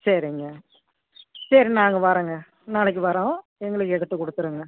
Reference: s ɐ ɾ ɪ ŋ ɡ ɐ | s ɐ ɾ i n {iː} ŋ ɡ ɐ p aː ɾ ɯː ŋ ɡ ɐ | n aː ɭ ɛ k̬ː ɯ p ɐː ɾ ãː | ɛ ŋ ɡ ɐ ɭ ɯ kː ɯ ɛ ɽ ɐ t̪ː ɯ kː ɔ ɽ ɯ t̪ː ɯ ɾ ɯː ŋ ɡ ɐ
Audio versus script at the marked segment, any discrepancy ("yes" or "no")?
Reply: yes